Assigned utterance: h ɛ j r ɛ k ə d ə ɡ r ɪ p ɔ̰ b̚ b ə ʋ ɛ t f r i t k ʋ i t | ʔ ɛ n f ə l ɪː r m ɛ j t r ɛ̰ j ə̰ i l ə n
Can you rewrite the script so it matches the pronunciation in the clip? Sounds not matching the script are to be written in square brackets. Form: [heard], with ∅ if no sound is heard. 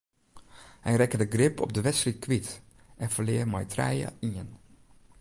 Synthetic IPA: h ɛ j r ɛ k ə d ə ɡ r ɪ p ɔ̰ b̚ [d] ə ʋ ɛ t [s] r i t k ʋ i t | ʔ ɛ n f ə l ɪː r m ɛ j t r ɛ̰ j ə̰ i [∅] ə n